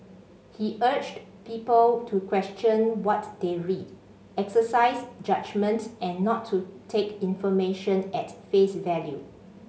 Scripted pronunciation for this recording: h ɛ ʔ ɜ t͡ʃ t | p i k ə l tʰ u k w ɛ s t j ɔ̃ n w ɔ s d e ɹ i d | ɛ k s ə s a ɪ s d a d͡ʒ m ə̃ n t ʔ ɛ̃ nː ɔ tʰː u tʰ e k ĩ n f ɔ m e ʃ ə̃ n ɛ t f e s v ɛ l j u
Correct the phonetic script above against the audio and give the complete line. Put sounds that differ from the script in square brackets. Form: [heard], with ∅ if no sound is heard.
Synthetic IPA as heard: h [i] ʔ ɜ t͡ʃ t | p i [p] ə l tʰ u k w ɛ s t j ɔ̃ n w ɔ [t] d e ɹ i d | ɛ k s ə s a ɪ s [d͡ʒ] a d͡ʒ m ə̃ n t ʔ ɛ̃ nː ɔ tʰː u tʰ e k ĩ n f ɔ m e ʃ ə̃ n ɛ t f e s v ɛ l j u